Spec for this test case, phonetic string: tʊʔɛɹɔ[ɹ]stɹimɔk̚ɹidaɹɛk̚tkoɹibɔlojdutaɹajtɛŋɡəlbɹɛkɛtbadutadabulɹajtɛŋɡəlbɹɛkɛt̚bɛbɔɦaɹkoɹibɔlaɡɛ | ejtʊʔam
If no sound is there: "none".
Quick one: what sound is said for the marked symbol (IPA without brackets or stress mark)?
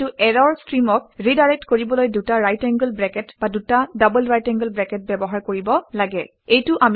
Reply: ɹ